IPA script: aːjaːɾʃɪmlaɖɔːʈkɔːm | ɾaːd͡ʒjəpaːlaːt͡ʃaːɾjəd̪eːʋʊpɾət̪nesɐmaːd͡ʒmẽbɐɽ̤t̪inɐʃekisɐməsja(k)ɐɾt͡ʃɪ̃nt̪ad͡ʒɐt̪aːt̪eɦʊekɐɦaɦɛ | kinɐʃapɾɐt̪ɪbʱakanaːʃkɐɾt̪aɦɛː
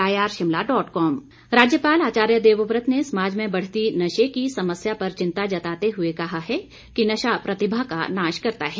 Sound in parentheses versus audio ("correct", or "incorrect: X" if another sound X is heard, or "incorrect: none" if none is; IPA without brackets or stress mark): incorrect: p